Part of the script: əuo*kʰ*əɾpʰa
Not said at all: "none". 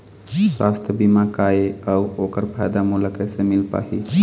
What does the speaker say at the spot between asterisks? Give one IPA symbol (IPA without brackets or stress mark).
k